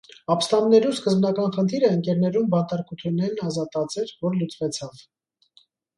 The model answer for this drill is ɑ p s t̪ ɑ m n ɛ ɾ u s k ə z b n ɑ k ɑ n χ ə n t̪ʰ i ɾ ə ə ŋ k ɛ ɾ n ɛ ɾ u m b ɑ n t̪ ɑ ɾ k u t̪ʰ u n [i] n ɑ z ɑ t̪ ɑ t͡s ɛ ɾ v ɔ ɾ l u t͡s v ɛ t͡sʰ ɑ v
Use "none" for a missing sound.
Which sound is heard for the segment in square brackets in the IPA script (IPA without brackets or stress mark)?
ɛ